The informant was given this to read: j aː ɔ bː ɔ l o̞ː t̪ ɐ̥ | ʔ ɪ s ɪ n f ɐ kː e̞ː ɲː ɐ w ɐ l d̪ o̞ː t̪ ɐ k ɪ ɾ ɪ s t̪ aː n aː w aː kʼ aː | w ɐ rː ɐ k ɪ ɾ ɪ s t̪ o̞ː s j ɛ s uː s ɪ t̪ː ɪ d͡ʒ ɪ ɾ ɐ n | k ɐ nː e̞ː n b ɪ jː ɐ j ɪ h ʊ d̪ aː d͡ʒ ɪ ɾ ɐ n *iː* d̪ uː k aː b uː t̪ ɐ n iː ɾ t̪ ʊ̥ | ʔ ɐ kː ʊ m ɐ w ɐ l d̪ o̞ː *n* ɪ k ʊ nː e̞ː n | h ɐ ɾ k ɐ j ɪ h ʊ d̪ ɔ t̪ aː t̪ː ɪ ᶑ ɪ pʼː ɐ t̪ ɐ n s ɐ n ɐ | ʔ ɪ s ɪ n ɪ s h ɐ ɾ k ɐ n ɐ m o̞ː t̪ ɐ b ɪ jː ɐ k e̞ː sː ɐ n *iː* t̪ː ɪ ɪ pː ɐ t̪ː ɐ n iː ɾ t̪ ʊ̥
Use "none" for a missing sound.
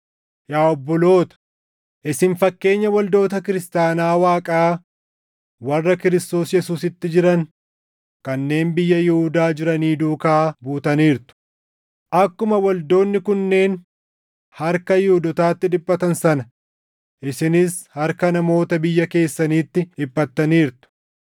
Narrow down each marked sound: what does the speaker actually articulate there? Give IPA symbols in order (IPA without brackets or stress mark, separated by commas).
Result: iː, nː, iː